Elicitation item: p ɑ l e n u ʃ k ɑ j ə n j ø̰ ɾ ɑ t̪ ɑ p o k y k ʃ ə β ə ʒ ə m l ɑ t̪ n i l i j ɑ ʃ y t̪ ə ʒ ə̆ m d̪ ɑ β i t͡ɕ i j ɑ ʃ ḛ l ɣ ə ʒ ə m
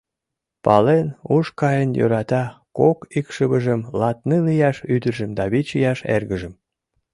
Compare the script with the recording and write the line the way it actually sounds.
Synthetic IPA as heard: p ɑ l e n u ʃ k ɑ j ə n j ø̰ ɾ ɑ t̪ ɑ k o k i k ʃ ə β ə ʒ ə m l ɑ t̪ n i l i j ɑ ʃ y d̪ ə ʒ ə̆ m d̪ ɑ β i t͡ɕ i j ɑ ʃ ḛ r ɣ ə ʒ ə m